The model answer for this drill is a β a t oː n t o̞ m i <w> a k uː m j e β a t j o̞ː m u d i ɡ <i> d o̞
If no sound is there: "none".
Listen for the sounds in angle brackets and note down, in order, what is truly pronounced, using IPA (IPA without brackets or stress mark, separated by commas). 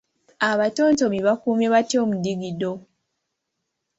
β, i